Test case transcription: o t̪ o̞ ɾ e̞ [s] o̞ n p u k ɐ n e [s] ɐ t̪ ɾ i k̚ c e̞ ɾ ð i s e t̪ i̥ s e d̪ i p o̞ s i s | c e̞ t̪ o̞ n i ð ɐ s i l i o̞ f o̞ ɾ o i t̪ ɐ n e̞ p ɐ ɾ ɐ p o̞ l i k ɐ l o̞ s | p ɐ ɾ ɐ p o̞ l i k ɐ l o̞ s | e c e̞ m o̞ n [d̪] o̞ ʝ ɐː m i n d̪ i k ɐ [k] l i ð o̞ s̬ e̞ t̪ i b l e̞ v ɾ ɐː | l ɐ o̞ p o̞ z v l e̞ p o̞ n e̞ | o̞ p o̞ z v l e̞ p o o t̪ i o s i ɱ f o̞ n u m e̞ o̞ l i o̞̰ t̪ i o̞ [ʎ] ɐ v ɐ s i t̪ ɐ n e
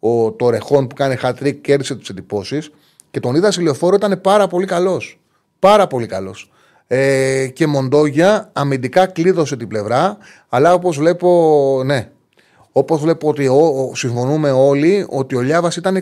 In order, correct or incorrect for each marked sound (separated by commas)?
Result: incorrect, incorrect, correct, correct, correct